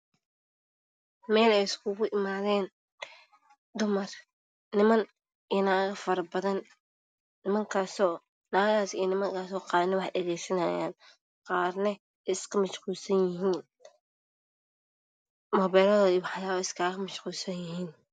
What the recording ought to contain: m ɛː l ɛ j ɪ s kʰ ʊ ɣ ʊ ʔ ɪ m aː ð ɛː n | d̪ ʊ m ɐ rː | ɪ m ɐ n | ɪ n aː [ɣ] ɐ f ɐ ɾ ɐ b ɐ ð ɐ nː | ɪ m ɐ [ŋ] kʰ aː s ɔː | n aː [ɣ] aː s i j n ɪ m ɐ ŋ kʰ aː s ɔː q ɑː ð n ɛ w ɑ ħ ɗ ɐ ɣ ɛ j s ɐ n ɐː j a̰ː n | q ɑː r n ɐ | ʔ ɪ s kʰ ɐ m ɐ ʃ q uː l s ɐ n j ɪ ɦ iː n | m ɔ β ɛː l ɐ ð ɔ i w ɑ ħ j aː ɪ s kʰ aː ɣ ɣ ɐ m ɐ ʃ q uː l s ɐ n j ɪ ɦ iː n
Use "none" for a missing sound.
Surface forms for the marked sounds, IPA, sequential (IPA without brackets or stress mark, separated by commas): ɣ, ŋ, ɣ